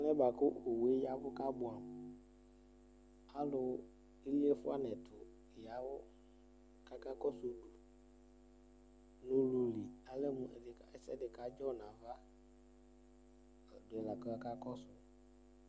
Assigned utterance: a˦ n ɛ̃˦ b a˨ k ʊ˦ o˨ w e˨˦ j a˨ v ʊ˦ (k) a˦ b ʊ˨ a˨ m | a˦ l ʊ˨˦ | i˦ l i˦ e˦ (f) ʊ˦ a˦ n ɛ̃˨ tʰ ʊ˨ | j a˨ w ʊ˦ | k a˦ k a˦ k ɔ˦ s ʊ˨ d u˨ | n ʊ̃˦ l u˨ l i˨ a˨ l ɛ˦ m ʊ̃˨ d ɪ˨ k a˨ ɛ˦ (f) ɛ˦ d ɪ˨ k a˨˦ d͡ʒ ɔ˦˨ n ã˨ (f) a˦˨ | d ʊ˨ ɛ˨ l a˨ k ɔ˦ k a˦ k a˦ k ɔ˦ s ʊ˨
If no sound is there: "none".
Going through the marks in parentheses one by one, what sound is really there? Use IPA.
k, f, s, v

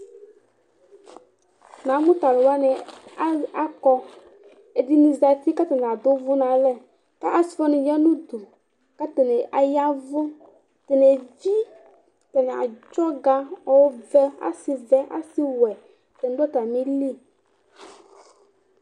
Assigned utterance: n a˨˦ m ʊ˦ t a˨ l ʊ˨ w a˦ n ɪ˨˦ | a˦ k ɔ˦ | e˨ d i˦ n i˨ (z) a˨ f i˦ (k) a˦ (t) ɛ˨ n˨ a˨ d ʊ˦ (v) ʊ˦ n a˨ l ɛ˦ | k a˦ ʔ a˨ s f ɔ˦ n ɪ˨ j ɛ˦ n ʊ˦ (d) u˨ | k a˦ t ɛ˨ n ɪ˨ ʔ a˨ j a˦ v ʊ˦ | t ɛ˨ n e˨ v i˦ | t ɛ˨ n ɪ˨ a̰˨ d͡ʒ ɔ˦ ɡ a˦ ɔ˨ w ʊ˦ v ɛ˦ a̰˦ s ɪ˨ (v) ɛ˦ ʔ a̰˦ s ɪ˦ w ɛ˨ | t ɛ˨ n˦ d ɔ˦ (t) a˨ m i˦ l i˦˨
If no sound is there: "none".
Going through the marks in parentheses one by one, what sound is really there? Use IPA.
z, k, t, v, d, v, t

